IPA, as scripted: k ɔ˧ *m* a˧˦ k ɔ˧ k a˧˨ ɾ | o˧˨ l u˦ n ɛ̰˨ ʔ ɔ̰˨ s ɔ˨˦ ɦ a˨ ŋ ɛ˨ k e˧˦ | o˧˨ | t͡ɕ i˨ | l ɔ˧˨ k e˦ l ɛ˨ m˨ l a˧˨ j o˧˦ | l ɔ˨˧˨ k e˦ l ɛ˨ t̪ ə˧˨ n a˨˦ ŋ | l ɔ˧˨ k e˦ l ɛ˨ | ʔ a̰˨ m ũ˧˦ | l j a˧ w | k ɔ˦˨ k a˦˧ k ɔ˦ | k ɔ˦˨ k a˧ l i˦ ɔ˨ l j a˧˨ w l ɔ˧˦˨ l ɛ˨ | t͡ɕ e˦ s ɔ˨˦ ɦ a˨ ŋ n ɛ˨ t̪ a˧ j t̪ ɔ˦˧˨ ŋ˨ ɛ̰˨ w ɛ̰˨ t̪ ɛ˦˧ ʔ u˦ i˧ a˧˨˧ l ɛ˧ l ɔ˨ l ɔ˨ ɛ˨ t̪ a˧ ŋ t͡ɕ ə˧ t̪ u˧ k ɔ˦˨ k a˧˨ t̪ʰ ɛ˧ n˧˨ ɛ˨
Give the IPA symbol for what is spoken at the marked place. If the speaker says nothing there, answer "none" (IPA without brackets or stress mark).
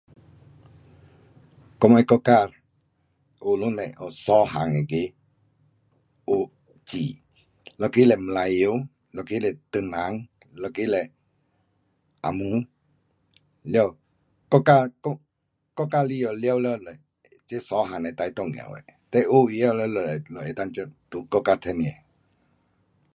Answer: m